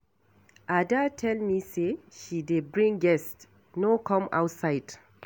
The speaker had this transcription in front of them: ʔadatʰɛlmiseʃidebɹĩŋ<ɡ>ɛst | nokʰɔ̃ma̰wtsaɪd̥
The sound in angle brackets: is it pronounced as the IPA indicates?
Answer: yes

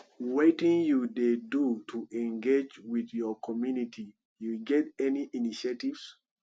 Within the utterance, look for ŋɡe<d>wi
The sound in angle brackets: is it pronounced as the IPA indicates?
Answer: no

